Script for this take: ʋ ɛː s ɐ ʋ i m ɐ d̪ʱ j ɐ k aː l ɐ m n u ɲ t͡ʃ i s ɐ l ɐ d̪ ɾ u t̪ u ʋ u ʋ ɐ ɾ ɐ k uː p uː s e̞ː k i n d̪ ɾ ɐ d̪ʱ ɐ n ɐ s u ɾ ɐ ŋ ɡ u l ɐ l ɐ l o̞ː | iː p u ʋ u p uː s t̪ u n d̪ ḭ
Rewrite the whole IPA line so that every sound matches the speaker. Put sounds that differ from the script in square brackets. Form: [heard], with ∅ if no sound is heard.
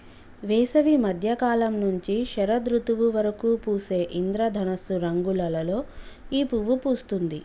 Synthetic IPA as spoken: ʋ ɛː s ɐ ʋ i m ɐ d̪ʱ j ɐ k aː l ɐ m n u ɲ t͡ʃ i [ʃ] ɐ [ɾ] ɐ d̪ ɾ u t̪ u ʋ u ʋ ɐ ɾ ɐ k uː p uː s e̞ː [ʔ] i n d̪ ɾ ɐ d̪ʱ ɐ n ɐ s u ɾ ɐ ŋ ɡ u l ɐ l ɐ l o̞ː | iː p u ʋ u p uː s t̪ u n d̪ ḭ

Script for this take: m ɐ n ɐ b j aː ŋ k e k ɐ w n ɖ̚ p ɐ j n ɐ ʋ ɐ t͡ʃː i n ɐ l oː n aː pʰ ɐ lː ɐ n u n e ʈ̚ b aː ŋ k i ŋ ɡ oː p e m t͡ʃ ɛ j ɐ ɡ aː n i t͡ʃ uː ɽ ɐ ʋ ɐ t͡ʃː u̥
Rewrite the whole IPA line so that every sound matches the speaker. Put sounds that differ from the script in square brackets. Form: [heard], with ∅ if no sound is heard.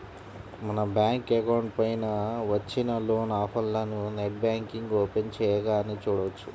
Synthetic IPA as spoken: m ɐ n ɐ b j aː ŋ k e k ɐ w [ɳ] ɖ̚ p ɐ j n ɐ ʋ ɐ t͡ʃː i n ɐ l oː n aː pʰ ɐ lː ɐ n u n e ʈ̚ b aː ŋ k i ŋ ɡ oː p e [n] t͡ʃ ɛ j ɐ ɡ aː n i t͡ʃ uː ɽ ɐ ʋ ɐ t͡ʃː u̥

